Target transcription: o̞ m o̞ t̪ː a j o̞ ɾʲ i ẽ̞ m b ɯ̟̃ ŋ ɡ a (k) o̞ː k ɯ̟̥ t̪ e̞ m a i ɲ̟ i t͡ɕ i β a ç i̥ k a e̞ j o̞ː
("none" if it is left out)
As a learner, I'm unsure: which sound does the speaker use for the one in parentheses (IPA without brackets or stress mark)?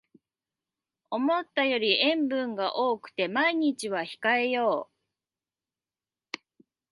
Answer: ʔ